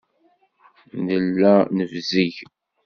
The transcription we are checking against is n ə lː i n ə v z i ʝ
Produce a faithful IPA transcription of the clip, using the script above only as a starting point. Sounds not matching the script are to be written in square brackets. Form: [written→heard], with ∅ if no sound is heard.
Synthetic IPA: n ə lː [i→æ] n ə v z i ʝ

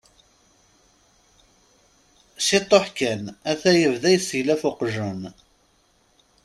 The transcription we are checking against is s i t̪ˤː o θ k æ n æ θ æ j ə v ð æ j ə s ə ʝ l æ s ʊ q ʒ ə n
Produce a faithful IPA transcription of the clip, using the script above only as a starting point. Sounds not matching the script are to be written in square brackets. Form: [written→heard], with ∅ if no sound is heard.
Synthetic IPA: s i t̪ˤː o [θ→ħ] k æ n æ θ æ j ə v ð æ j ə s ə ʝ l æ [s→f] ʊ q ʒ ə n

